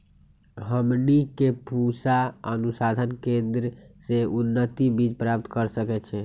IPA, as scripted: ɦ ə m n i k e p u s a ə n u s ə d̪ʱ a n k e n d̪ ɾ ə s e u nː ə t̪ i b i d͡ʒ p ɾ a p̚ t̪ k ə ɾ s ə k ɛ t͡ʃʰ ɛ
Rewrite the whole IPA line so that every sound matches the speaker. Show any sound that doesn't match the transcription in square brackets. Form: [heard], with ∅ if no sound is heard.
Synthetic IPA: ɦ ə m n i k e p u s a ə n u s [a] d̪ʱ [ə] n k e n d̪ ɾ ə s e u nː ə t̪ i b i d͡ʒ p ɾ a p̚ t̪ k ə ɾ s ə k ɛ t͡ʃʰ ɛ